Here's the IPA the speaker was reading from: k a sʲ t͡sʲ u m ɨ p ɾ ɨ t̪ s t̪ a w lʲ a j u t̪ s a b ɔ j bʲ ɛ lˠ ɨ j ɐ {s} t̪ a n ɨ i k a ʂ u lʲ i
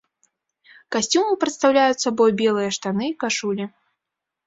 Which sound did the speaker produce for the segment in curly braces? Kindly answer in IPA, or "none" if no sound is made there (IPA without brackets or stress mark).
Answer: ʂ